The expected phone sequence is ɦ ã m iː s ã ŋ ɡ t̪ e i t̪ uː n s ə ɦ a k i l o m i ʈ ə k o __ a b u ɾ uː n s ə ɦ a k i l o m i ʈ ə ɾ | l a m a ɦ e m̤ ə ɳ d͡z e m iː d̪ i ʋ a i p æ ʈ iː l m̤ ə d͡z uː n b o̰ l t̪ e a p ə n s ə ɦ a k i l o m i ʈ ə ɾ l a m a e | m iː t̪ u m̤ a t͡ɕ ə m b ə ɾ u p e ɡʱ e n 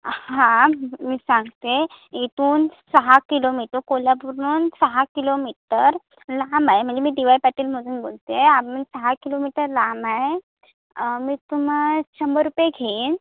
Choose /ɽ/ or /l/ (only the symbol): l